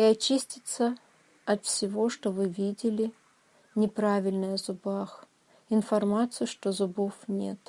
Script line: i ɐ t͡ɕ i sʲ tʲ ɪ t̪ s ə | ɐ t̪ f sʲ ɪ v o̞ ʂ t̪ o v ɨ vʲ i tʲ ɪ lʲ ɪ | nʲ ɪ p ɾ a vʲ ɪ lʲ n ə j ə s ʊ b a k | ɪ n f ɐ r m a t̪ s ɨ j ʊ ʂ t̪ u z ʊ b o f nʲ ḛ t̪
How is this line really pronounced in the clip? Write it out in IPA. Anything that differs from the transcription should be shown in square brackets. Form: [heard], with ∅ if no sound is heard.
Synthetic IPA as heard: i ɐ t͡ɕ i sʲ tʲ ɪ t̪ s ə | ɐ t̪ f sʲ ɪ v o̞ ʂ t̪ o v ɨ vʲ i [dʲ] ɪ lʲ ɪ | nʲ ɪ p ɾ a vʲ ɪ lʲ n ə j ə [z] ʊ b a [x] | ɪ n f ɐ r m a t̪ s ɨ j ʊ ʂ t̪ [o] z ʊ b o f nʲ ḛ t̪